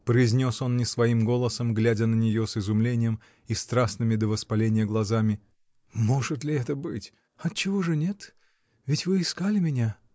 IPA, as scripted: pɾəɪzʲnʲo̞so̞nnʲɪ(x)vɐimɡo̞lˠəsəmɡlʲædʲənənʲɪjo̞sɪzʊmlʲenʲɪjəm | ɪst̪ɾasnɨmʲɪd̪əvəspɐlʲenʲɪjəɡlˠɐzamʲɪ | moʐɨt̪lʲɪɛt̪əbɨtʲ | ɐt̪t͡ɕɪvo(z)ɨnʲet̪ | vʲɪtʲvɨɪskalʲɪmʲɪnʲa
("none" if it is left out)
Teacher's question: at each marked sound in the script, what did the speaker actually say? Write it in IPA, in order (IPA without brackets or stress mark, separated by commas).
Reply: s, ʐ